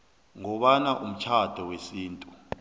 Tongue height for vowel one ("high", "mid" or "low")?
mid